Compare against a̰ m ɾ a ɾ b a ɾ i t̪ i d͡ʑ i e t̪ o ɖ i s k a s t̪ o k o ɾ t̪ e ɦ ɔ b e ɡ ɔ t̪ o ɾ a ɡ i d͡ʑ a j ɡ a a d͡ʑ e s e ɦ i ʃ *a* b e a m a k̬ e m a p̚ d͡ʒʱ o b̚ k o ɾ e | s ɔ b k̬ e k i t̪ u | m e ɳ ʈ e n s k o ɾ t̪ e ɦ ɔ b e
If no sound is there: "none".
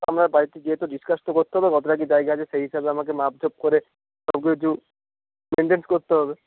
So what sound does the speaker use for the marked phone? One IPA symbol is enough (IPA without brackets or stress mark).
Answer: a